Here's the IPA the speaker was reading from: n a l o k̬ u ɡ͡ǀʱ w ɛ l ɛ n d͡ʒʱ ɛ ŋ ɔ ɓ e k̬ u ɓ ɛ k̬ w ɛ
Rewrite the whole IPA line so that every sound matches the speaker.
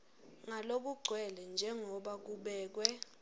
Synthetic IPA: ŋ a l o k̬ u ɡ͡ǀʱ w ɛ l ɛ n d͡ʒʱ ɛ ŋ ɔ ɓ a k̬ u ɓ ɛː k̬ w ɛ